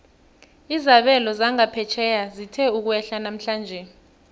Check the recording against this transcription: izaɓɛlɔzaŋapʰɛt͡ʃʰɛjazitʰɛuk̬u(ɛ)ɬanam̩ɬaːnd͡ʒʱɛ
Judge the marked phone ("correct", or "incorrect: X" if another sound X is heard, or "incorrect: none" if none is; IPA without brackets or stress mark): correct